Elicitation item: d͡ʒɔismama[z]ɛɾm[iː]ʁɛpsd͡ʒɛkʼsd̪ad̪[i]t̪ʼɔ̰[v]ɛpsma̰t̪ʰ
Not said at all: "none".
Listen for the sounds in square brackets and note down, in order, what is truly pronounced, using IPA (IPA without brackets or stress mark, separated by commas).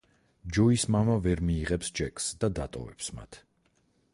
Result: v, iː, a, v